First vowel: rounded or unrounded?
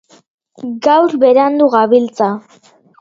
unrounded